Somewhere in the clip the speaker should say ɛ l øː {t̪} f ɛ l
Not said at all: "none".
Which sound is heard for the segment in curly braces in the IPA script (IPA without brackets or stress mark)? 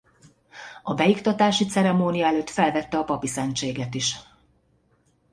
t̪